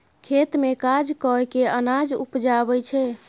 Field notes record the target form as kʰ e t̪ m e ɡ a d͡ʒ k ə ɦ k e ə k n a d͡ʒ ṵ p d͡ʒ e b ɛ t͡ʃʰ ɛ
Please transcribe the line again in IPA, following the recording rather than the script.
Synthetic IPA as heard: kʰ e t̪ m e k a d͡ʒ k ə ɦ k e ə n a d͡ʒ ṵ p d͡ʒ a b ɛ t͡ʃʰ ɛ